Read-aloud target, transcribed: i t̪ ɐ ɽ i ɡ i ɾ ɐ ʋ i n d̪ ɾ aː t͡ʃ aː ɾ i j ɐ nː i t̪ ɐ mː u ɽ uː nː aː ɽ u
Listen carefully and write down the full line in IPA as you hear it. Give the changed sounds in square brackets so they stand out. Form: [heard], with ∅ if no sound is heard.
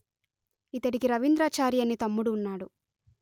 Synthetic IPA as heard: i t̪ ɐ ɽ i [k] i ɾ ɐ ʋ i n d̪ ɾ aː t͡ʃ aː ɾ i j ɐ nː i t̪ ɐ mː u ɽ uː nː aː ɽ u